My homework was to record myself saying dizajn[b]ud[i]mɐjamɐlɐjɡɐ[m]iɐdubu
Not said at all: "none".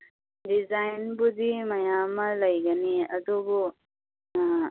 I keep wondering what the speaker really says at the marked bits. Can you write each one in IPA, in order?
b, i, n

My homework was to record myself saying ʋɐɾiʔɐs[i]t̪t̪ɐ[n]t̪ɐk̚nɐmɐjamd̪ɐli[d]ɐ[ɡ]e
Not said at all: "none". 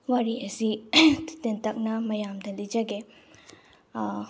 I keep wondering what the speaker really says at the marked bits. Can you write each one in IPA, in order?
i, n, d͡ʒ, ɡ

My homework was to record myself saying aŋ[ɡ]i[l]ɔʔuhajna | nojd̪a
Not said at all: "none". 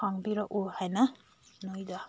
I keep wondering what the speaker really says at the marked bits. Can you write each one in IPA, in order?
b, ɾ

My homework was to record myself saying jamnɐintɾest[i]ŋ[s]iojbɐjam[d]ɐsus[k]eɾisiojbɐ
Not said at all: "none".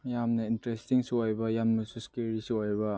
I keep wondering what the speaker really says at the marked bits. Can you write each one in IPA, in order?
i, s, n, k

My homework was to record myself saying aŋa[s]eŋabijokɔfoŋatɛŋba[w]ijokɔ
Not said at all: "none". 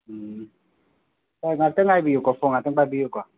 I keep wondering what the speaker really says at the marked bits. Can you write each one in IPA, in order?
t, b

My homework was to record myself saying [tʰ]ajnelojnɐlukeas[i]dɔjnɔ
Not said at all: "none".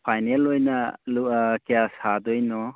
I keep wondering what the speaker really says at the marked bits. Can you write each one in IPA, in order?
pʰ, a

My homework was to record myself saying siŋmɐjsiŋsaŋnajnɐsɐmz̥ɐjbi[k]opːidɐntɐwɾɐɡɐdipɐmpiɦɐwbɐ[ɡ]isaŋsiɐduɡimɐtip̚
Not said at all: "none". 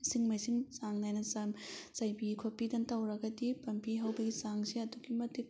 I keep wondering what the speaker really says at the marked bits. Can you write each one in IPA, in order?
kʰ, ɡ

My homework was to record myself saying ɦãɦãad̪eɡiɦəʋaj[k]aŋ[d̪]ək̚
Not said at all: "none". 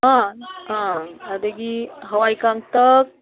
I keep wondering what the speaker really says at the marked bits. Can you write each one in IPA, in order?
k, t̪

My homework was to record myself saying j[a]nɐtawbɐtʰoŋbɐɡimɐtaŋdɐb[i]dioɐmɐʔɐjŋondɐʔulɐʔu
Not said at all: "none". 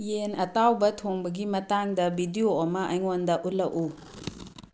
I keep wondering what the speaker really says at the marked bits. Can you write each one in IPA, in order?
e, i

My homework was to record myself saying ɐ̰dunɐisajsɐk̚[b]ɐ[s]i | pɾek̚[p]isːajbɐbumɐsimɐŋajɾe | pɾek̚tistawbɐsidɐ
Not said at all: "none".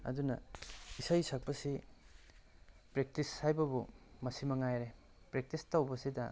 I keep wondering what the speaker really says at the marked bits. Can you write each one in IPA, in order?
p, s, t

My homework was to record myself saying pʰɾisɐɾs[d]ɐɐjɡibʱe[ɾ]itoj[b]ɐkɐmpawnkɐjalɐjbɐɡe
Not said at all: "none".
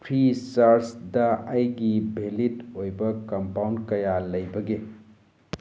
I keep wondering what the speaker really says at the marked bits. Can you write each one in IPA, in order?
d, l, b

